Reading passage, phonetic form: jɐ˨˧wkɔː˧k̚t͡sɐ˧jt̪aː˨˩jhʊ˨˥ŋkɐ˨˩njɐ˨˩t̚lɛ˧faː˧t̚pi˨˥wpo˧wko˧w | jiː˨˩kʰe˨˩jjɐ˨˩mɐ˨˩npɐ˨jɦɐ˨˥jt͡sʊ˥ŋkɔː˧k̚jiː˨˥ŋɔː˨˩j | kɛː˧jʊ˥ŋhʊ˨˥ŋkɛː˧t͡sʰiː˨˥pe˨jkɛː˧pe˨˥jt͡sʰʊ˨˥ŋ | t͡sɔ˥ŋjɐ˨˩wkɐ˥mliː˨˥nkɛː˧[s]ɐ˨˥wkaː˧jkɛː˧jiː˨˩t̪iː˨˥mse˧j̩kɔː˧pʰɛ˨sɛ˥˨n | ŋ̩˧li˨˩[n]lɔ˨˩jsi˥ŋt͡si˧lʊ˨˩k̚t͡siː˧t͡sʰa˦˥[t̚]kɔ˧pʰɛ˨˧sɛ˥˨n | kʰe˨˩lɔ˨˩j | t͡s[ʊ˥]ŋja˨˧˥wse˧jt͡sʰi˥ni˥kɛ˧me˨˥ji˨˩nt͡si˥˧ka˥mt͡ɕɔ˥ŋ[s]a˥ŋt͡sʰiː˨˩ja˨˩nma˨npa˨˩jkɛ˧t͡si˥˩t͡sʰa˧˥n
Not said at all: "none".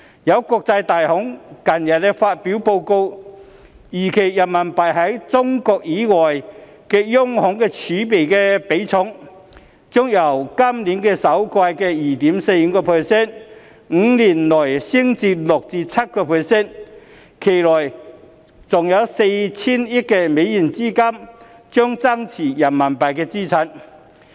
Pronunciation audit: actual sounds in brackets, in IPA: s, n, t̚, ʊ˨˩, t͡s

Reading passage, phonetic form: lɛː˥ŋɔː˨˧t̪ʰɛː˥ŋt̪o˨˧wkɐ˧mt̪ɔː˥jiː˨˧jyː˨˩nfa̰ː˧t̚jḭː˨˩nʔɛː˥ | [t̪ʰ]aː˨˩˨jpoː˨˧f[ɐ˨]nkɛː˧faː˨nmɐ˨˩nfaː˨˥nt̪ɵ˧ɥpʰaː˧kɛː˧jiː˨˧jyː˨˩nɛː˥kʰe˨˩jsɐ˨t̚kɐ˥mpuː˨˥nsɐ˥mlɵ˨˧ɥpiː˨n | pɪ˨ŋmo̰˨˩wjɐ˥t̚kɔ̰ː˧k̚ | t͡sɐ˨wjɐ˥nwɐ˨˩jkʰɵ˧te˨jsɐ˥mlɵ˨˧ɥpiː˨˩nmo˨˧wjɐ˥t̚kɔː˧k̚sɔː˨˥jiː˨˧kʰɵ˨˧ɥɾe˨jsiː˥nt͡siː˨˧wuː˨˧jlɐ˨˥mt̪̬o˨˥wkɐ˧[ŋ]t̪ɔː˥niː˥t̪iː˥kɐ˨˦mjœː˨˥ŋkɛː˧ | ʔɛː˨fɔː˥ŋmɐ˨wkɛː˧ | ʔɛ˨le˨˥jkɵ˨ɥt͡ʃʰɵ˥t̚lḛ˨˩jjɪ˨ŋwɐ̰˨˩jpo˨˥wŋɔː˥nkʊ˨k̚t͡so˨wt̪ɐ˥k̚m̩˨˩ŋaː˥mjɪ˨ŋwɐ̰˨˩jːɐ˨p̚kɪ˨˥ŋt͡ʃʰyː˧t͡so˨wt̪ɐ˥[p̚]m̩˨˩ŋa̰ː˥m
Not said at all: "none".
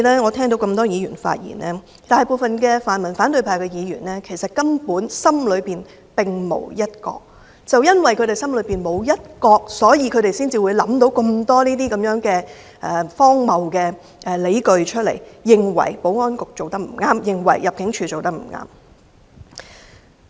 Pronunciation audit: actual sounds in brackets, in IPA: t̪, ɐ˨, m, k̚

